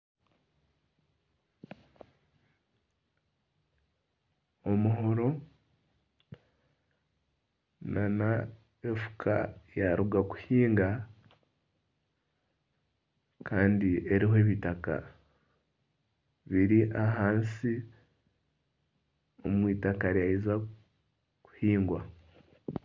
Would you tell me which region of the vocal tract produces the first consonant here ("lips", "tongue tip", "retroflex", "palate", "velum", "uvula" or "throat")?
lips